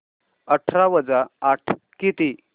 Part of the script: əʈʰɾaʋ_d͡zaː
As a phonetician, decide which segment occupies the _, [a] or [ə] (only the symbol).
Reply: ə